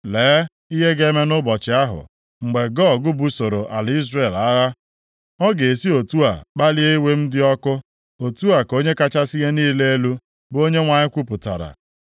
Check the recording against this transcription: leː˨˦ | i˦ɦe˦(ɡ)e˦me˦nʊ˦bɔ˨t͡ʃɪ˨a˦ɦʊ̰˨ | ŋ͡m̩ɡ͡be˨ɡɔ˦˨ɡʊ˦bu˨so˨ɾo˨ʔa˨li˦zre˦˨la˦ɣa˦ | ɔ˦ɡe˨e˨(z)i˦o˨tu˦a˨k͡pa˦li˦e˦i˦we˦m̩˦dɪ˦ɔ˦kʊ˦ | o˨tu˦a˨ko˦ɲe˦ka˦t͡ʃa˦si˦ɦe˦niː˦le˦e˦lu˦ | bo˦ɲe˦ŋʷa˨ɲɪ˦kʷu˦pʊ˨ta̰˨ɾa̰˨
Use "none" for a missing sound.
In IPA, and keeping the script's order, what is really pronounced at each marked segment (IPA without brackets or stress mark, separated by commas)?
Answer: ɡ, s